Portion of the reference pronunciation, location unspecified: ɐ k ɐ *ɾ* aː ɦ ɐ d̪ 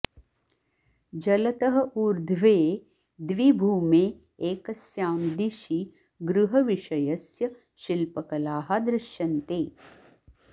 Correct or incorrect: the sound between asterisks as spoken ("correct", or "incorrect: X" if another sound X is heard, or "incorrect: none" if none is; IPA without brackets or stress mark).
incorrect: l